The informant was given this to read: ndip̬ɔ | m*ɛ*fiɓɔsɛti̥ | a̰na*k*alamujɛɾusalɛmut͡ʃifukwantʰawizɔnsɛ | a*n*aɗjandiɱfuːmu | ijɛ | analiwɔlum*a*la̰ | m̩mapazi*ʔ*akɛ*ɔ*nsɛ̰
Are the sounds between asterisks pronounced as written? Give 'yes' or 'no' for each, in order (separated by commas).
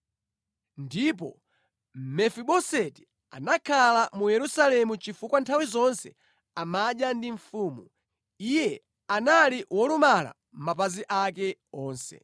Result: yes, no, no, yes, yes, no